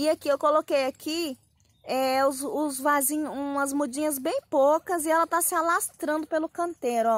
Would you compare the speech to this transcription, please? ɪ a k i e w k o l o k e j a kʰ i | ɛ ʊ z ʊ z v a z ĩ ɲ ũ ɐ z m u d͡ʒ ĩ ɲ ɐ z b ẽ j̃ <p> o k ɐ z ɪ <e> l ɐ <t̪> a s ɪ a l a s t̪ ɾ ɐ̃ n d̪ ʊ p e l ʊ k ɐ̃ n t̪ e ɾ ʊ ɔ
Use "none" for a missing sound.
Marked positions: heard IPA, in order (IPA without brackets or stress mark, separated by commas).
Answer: p, ɛ, t̪